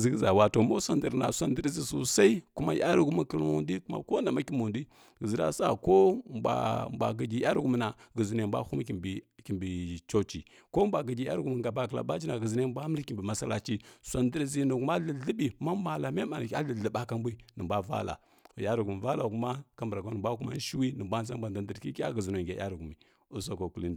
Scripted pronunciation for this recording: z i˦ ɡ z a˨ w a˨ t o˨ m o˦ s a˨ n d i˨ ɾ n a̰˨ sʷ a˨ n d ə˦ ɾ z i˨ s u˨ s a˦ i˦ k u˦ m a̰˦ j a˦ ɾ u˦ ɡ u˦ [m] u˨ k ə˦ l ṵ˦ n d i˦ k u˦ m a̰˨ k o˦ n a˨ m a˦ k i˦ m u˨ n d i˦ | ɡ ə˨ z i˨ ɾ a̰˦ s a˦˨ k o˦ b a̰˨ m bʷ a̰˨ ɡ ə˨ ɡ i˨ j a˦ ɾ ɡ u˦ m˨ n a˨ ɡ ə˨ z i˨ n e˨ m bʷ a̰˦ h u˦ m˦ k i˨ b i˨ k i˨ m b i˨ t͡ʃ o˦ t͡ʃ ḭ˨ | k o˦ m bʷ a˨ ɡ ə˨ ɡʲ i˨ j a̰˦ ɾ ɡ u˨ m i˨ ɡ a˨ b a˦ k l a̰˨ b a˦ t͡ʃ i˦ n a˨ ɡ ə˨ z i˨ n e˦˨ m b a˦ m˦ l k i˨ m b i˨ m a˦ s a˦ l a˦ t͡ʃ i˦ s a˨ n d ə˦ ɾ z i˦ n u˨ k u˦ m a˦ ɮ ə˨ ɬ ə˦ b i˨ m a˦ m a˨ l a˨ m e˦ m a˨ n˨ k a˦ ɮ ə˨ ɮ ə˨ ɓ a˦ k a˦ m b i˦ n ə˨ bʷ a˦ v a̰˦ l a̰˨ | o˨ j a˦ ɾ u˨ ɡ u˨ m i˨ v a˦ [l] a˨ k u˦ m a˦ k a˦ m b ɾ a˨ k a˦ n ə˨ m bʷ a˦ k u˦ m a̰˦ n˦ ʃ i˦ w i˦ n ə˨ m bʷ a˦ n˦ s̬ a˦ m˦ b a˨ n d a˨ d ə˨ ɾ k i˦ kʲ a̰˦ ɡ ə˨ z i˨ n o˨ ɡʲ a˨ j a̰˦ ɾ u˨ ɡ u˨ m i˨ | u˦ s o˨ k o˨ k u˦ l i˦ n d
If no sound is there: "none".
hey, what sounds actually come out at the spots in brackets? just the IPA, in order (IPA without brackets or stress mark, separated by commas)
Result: m, l